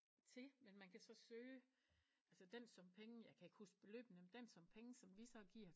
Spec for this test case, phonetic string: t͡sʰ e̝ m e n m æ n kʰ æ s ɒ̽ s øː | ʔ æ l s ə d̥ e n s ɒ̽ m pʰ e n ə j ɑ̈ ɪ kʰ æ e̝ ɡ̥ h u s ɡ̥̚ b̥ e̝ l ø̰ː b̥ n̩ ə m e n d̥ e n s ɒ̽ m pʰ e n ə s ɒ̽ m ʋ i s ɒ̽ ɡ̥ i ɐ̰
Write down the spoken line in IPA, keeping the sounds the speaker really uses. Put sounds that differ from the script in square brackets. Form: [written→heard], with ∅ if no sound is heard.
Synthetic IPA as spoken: t͡sʰ e̝ m e n m æ n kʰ æ s ɒ̽ s øː | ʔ æ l s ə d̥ e n s ɒ̽ m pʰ e [n→ŋ] ə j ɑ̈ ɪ kʰ æ e̝ ɡ̥ h u s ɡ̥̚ b̥ e̝ l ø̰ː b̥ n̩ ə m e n d̥ e n s ɒ̽ m pʰ e [n→ŋ] ə s ɒ̽ m ʋ i s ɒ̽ ɡ̥ i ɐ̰